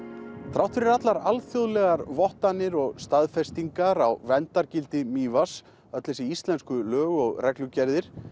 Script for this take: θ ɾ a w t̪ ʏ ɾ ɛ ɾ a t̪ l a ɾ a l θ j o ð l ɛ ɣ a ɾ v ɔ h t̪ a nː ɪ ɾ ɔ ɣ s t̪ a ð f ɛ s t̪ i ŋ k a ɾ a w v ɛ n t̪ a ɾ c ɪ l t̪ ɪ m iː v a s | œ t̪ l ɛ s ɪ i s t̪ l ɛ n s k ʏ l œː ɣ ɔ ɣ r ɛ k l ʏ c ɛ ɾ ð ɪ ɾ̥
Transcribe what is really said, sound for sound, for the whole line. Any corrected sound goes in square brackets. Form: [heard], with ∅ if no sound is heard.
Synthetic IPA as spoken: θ ɾ a w t̪ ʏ ɾ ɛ ɾ a t̪ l a ɾ a l θ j o ð l ɛ ɣ a ɾ v ɔ h t̪ a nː ɪ ɾ ɔ ɣ s t̪ a ð f ɛ s t̪ i ŋ k a ɾ a w v ɛ n t̪ a ɾ c ɪ l t̪ ɪ m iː v a s | œ t̪ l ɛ s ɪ i s t̪ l ɛ n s k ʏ l œː ɣ ɔ ɣ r ɛ k l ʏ c ɛ ɾ ð ɪ ɾ̥